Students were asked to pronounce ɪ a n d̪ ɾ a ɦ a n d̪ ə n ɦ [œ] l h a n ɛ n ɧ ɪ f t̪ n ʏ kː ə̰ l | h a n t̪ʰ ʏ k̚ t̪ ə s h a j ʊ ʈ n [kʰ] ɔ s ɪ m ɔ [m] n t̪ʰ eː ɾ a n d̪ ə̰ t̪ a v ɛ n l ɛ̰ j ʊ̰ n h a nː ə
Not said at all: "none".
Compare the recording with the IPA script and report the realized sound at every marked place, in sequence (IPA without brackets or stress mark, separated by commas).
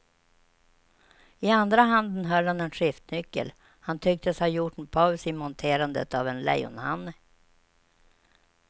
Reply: œ, pʰ, none